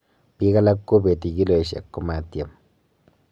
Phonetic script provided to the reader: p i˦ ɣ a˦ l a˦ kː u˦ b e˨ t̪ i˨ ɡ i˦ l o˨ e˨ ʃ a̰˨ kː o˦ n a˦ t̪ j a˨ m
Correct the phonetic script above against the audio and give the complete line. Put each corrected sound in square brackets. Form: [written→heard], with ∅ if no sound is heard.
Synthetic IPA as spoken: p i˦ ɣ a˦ l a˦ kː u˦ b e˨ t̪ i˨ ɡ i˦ l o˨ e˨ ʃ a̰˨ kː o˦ [n→m] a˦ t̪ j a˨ m